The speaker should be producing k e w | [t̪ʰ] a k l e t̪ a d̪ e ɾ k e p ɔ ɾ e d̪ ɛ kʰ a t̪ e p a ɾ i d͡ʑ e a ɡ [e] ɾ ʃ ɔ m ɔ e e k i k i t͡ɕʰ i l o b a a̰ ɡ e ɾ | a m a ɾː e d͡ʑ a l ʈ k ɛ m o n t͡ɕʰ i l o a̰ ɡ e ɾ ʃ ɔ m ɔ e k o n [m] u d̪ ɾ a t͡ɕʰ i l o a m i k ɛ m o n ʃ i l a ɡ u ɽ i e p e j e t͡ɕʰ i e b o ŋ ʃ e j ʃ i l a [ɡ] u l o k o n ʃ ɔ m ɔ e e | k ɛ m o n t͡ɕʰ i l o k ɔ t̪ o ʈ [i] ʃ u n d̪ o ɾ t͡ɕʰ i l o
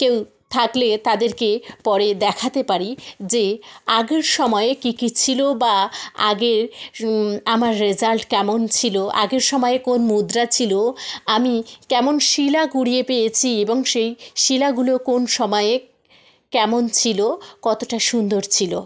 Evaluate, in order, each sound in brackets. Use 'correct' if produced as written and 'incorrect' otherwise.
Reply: correct, correct, correct, correct, incorrect

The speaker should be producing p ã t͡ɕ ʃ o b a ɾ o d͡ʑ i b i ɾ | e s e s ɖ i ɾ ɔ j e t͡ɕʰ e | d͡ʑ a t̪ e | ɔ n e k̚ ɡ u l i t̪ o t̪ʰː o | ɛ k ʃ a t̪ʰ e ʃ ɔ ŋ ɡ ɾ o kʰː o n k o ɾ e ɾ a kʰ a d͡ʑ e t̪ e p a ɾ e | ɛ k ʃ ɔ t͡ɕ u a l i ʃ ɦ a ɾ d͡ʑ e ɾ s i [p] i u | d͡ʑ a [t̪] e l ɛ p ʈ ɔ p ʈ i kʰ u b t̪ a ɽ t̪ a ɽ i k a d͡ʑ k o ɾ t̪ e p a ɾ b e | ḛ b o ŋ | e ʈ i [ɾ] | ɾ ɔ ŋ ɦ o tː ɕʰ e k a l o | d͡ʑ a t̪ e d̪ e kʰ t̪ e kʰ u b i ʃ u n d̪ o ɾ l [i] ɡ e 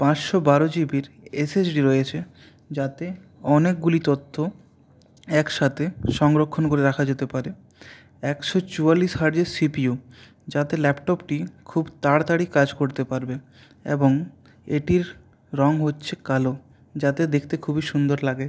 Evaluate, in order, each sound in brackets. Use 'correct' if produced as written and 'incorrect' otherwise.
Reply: correct, correct, correct, incorrect

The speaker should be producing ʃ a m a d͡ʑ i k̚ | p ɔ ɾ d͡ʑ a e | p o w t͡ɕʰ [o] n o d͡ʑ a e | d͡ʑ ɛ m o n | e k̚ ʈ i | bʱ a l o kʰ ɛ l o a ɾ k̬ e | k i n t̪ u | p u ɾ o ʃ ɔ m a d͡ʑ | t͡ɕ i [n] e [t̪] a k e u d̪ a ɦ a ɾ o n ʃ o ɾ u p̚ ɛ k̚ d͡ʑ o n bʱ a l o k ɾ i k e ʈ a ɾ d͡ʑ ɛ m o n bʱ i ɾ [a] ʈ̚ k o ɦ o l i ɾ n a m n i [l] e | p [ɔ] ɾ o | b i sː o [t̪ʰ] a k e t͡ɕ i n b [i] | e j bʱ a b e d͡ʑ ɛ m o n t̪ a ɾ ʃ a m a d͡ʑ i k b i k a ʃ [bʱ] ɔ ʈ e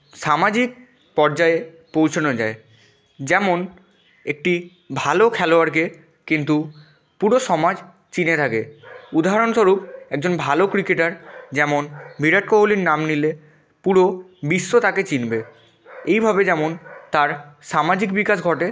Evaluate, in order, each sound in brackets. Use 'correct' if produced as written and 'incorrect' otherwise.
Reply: correct, correct, incorrect, correct, correct, incorrect, incorrect, incorrect, incorrect

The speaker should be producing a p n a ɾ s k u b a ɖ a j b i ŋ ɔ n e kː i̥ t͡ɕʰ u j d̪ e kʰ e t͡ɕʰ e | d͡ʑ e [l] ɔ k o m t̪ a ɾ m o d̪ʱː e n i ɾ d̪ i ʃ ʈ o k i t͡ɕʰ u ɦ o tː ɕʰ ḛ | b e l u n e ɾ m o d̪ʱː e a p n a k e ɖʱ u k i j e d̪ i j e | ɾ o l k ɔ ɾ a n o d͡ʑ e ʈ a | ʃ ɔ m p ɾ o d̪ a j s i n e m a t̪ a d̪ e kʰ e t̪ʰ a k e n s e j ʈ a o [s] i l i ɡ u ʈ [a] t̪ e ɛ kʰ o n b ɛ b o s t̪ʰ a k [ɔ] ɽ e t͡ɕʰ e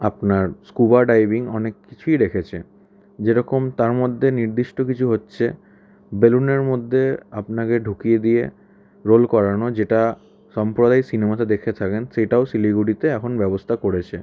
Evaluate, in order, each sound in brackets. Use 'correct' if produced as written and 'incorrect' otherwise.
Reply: incorrect, correct, incorrect, incorrect

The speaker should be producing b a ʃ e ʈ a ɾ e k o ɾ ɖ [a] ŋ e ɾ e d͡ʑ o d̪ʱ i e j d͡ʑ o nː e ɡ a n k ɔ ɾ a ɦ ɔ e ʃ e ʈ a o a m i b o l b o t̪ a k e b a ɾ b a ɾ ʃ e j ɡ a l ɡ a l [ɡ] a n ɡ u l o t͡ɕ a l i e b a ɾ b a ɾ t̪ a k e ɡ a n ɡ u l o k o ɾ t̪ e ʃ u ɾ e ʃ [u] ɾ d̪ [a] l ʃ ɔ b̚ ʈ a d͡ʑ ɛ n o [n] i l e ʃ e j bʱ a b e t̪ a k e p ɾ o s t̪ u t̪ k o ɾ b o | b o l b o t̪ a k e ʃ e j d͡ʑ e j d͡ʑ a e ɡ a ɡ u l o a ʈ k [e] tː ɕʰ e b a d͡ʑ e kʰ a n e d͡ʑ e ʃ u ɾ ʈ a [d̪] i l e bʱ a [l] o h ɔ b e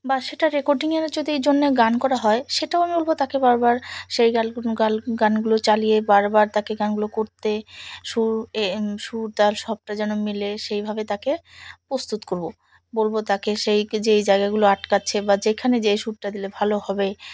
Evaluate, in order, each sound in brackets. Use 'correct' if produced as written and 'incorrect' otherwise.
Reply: incorrect, correct, correct, correct, incorrect, incorrect, correct, correct

